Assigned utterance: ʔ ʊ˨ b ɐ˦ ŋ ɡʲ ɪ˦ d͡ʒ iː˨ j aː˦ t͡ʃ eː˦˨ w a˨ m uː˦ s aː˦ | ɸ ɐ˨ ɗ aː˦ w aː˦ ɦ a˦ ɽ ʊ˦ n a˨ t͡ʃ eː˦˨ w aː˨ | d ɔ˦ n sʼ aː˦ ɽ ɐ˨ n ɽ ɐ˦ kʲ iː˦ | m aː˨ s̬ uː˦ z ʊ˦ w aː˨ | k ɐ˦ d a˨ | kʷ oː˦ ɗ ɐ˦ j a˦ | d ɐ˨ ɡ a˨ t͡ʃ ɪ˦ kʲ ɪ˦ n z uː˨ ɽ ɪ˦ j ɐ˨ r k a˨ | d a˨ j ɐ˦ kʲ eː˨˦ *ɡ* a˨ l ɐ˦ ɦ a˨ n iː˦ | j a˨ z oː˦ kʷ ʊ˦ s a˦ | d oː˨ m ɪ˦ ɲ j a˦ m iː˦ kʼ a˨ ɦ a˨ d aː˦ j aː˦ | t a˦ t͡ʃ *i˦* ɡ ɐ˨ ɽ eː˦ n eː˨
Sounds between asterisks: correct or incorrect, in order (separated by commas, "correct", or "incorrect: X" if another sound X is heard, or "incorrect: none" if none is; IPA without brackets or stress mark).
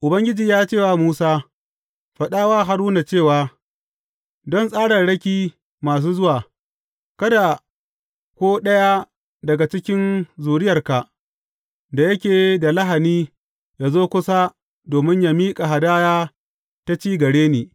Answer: incorrect: d, incorrect: iː˦